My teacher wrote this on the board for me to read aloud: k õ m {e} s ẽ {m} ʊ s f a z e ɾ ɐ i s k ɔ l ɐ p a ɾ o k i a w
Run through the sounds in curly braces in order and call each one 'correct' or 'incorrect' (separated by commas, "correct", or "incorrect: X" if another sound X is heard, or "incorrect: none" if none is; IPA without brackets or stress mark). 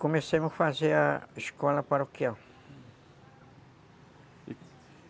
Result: correct, correct